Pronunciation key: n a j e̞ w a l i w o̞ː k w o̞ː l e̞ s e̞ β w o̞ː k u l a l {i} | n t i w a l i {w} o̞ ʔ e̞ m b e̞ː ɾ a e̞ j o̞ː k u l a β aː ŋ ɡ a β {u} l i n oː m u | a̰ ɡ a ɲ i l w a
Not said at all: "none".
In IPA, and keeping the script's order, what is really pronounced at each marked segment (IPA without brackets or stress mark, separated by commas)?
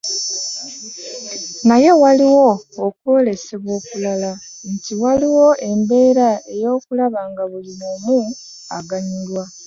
a, w, u